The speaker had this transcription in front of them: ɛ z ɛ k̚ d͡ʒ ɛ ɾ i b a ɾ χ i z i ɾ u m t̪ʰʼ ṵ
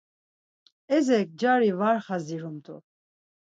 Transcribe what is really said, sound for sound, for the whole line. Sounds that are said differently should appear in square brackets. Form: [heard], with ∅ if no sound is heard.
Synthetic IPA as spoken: ɛ z ɛ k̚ d͡ʒ [a] ɾ i [v] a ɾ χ [a] z i ɾ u m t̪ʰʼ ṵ